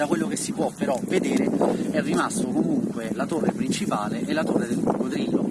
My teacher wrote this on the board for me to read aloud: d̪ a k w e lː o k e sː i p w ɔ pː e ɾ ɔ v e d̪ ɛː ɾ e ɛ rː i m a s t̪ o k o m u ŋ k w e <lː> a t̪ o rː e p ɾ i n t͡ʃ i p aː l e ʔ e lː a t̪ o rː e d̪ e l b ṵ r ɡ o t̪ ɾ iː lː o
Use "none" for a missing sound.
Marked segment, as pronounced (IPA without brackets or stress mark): l